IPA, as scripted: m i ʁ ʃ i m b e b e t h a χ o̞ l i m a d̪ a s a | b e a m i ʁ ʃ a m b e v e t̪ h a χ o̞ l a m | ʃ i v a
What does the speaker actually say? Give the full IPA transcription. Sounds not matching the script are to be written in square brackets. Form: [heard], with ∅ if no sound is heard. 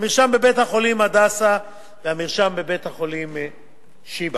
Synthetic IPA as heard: m i ʁ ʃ [a] m b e b e t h a χ o̞ l i m a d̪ a s a | [v] e a m i ʁ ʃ a m b e [b] e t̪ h a χ o̞ l [i] m | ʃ i [b] a